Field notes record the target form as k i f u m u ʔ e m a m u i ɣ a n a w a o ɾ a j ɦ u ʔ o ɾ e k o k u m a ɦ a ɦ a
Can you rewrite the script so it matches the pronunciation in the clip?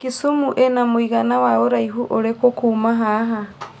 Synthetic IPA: k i s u m u ʔ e n a m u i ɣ a n a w a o ɾ a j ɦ u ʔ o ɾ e k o k u m a ɦ a ɦ a